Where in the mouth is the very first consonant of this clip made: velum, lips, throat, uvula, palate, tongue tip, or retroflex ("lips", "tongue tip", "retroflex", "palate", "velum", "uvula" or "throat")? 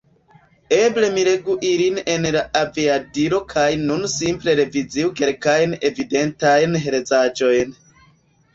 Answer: lips